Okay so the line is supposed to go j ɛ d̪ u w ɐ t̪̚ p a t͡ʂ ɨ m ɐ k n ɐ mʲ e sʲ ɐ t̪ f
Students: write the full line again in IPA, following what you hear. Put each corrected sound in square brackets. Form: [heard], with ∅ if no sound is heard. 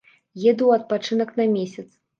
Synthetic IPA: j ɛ d̪ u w ɐ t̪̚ p a t͡ʂ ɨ [n] ɐ k n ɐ mʲ e sʲ ɐ t̪ [s]